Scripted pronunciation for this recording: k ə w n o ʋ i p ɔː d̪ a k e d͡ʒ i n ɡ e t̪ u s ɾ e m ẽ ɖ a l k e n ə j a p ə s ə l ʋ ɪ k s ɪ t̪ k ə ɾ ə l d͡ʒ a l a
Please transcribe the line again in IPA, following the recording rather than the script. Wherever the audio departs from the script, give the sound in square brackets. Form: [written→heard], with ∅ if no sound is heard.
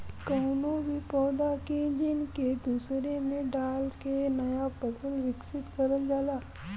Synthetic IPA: k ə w n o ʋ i p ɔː d̪ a k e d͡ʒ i n [ɡ→k] e [t̪→d̪] u s ɾ e m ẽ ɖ a l k e n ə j a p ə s ə l ʋ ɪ k s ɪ t̪ k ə ɾ ə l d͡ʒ a l a